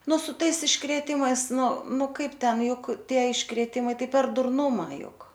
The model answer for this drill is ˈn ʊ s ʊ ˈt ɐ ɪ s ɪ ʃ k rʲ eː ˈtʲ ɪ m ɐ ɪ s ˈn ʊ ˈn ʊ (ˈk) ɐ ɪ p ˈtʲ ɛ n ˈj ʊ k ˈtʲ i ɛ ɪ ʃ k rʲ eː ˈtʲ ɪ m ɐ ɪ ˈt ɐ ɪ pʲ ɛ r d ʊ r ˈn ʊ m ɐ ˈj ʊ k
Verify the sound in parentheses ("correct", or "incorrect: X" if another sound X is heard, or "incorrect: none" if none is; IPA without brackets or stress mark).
correct